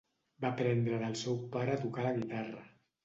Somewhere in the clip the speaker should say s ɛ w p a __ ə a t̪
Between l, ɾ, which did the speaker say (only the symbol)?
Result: ɾ